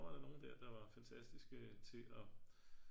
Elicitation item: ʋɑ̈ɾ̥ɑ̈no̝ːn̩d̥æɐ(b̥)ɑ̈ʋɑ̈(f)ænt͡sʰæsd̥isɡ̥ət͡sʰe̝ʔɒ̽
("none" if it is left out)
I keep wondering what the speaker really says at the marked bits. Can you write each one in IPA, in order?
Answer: d̥, f

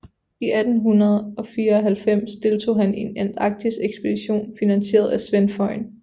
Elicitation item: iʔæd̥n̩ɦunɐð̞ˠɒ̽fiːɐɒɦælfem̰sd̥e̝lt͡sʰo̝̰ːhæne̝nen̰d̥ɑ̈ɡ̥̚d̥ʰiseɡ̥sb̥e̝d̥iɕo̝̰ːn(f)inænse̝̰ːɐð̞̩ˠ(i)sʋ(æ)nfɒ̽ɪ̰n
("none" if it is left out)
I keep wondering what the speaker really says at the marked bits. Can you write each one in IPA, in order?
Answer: f, æ, e

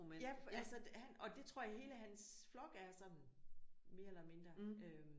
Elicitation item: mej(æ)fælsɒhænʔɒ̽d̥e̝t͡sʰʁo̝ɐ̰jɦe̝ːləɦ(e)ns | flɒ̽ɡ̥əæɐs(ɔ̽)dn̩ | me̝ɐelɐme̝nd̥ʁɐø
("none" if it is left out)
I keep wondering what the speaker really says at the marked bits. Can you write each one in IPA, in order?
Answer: æ, æ, ɒ̽

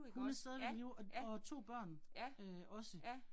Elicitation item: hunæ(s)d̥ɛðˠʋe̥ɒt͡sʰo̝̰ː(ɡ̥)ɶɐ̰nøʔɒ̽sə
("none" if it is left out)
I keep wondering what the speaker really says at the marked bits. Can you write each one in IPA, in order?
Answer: s, b̥

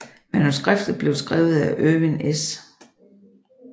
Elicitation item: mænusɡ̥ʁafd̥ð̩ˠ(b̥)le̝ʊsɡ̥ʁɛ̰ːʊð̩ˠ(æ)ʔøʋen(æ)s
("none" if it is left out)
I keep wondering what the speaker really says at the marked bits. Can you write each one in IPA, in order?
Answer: b̥, æ, e

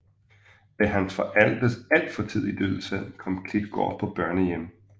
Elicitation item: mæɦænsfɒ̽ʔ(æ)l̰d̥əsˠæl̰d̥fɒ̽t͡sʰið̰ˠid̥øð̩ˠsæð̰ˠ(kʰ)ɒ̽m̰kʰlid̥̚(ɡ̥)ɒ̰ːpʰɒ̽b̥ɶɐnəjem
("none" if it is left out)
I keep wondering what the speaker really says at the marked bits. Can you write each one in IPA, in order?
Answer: æ, kʰ, ɡ̥

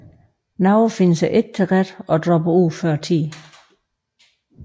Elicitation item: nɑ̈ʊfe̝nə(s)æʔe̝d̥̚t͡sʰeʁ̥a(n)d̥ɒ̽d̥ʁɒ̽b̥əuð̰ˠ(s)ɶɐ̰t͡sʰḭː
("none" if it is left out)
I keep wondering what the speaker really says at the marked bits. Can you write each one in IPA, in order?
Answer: s, none, f

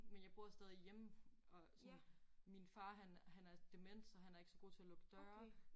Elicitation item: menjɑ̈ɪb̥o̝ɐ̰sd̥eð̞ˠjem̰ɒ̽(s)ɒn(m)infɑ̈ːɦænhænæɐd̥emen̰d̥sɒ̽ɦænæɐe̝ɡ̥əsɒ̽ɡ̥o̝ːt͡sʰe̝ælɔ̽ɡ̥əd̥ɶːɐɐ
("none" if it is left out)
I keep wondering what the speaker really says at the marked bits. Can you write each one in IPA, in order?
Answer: s, m

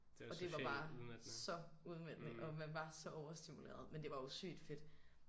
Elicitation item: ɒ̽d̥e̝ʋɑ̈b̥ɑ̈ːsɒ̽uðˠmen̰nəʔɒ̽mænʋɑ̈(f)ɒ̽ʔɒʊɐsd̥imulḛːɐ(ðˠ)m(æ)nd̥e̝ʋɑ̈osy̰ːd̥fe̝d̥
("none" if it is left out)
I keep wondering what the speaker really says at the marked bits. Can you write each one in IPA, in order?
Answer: s, ðˠ, e

